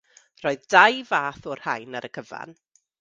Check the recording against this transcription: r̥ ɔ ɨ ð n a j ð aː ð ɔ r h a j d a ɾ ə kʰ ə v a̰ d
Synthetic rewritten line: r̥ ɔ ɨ ð d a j v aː θ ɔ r h a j n a ɾ ə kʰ ə v a̰ n